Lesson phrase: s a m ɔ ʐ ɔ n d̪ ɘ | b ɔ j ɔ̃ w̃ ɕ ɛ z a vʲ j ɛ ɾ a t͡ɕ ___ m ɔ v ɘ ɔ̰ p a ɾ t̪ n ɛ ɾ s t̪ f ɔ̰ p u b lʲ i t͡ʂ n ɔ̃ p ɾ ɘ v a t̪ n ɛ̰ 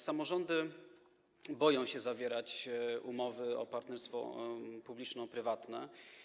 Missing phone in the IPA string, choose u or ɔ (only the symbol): u